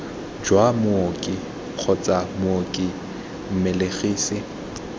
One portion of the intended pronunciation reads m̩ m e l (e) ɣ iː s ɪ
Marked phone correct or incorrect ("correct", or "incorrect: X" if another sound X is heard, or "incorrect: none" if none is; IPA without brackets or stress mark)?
correct